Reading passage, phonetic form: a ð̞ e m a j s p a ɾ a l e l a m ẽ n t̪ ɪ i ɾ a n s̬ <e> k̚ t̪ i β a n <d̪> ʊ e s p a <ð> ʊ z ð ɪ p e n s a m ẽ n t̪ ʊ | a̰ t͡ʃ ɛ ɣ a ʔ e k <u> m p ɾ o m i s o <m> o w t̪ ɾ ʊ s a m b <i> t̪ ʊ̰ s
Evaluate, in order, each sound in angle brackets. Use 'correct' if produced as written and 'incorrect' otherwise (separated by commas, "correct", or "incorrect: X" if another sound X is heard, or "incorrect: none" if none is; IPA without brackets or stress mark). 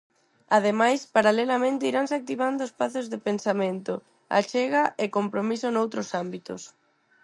incorrect: a, correct, incorrect: θ, incorrect: o, incorrect: n, correct